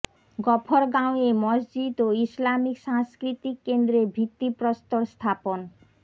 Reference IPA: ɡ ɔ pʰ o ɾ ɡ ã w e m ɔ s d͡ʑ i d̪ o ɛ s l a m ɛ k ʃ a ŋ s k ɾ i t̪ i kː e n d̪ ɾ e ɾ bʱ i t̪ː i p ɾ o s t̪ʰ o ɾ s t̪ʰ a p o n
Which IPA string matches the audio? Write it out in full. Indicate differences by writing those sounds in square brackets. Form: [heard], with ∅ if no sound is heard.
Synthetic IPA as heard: ɡ ɔ pʰ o ɾ ɡ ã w e m ɔ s d͡ʑ i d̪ o [i] s l a m [i] k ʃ a ŋ s k ɾ i t̪ i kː e n d̪ ɾ e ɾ bʱ i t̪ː i p ɾ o s [t̪] o ɾ s t̪ʰ a p o n